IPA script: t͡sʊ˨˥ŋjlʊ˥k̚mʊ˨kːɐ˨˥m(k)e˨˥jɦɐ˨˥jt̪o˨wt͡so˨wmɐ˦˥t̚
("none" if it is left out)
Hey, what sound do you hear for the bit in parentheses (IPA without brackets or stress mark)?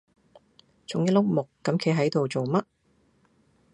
kʰ